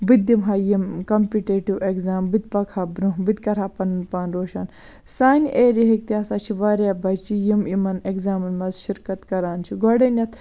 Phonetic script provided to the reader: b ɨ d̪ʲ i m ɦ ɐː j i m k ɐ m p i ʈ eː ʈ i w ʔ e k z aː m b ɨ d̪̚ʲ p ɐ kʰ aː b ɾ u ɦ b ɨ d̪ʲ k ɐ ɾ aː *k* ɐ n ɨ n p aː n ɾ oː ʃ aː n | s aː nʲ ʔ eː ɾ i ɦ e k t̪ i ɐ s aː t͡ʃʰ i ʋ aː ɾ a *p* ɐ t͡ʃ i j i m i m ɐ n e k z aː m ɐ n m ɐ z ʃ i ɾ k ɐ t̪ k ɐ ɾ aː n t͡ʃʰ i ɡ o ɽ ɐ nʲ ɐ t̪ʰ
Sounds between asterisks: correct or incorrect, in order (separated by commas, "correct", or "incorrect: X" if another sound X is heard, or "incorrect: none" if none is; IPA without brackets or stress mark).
incorrect: p, incorrect: b